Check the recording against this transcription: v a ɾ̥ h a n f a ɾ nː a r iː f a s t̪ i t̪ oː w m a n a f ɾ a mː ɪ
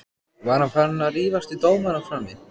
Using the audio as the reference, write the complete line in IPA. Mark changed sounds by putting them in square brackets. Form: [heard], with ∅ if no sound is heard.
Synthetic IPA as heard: v a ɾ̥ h a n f a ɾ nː a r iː [v] a s t̪ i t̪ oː w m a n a f ɾ a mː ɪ